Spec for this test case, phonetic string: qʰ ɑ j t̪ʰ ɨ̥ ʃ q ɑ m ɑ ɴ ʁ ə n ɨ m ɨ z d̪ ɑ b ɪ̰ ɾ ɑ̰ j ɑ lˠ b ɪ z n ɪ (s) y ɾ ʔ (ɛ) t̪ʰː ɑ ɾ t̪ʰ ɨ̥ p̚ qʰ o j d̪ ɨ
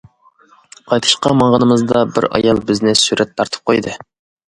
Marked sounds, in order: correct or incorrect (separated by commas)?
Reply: correct, correct